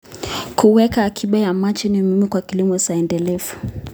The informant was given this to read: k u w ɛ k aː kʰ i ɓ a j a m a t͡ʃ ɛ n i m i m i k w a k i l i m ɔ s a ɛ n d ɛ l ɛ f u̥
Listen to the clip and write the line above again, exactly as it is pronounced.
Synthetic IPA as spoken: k u w ɛ k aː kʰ i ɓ a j a m a t͡ʃ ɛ n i m i m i k w a k i l i m ɔ s a ɛ n d ɛ l ɛ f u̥